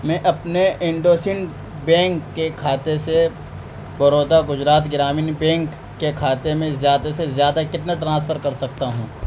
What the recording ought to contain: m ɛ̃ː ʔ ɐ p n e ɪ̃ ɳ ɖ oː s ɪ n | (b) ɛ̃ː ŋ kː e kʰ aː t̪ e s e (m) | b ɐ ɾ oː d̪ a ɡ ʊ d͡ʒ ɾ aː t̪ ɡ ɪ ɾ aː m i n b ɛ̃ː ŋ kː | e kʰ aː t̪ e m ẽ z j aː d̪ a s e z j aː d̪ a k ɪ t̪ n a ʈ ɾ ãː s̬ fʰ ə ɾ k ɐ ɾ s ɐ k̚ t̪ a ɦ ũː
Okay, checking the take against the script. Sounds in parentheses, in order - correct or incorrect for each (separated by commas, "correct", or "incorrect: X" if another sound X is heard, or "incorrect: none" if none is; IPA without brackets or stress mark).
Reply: correct, incorrect: none